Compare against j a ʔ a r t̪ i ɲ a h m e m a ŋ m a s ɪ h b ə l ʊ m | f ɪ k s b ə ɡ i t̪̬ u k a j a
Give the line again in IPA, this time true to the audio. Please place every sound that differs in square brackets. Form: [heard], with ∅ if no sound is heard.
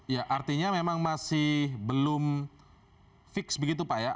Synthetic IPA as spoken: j a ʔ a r t̪ i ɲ a [∅] m e m a ŋ m a s ɪ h b ə l ʊ m | f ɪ k s b ə ɡ i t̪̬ u [p] a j a

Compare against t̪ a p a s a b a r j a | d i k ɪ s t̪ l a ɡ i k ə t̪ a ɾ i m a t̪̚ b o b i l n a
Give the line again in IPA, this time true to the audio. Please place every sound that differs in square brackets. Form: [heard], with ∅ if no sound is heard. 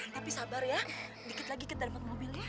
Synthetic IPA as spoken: t̪ a p [i] s a b a r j a | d i k ɪ [∅] t̪ l a ɡ i k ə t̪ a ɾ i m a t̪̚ [m] o b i l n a

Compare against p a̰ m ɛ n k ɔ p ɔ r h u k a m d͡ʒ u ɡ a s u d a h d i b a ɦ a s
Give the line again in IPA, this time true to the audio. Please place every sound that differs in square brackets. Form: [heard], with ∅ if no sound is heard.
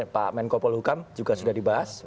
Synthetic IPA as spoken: p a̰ m ɛ n k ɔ p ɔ [l] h u k a m d͡ʒ u ɡ a s u d a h d i b a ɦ a s

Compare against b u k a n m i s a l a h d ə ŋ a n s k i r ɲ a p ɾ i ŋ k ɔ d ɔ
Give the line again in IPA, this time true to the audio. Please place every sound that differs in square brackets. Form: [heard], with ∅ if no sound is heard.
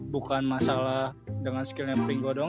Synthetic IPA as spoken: b u k a n m [a] s a l a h d ə ŋ a n s k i [l] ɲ a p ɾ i ŋ [ɡ] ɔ d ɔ

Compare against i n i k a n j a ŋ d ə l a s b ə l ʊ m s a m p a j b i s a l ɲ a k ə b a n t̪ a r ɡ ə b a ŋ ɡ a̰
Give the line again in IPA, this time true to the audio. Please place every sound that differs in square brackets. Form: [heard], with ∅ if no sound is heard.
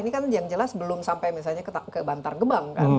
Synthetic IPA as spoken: i n i k a n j a ŋ [d͡ʒ] ə l a s b ə l ʊ m s a m p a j [m] i s a l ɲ a k ə b a n t̪ a r ɡ ə b a ŋ [k] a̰

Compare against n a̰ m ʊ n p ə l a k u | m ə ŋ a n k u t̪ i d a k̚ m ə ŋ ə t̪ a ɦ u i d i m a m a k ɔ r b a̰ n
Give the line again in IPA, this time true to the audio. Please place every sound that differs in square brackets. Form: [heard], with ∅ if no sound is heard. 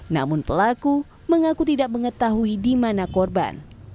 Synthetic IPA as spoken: n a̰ m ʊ n p ə l a k u | m ə ŋ a [∅] k u t̪ i d a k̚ m ə ŋ ə t̪ a ɦ u i d i m a [n] a k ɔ r b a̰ n

